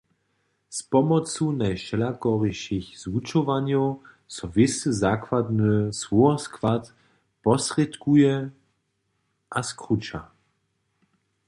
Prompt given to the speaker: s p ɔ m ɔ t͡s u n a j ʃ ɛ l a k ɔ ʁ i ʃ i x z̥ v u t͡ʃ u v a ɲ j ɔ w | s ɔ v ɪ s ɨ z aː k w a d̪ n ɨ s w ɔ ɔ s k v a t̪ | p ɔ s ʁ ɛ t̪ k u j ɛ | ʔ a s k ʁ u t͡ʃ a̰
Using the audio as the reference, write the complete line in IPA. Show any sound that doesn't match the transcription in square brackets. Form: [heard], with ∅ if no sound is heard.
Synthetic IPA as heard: s p ɔ m ɔ t͡s u n a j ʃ ɛ l a k ɔ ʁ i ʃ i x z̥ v u t͡ʃ [ɔ] v a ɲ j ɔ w | s ɔ v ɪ s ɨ z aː k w a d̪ n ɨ s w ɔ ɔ s k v a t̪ | p ɔ s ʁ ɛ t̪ k u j ɛ | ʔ a s k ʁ u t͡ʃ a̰